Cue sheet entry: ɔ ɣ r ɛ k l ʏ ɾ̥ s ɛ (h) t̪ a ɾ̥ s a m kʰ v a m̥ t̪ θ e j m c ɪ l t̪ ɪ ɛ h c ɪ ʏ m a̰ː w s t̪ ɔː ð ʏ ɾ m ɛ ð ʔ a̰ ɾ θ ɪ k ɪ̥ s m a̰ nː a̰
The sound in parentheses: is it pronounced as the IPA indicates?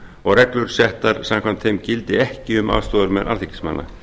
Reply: yes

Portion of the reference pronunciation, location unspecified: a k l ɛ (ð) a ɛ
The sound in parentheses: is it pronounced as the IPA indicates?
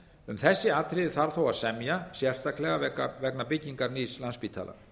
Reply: no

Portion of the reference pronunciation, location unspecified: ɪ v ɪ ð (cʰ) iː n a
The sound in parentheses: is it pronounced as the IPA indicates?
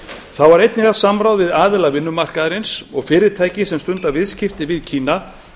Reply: yes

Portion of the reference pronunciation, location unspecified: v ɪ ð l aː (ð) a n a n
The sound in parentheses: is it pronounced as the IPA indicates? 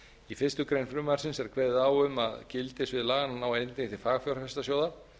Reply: no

